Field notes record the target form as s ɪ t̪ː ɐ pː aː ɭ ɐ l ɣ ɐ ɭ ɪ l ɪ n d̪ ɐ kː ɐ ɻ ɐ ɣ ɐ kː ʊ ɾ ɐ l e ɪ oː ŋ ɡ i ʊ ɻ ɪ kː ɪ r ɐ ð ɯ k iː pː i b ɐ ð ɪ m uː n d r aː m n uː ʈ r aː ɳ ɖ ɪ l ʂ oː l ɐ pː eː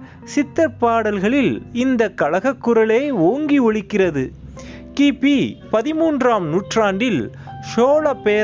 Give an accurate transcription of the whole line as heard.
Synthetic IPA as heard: s ɪ t̪ː ɐ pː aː ɽ ɐ l ɣ ɐ ɭ ɪ l ɪ n d̪ ɐ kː ɐ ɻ ɐ ɣ ɐ kː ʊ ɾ ɐ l e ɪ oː ŋ ɡ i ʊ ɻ ɪ kː ɪ r ɐ ð ɯ k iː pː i p ɐ ð ɪ m uː n d r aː m n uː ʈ r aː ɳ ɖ ɪ l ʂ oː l ɐ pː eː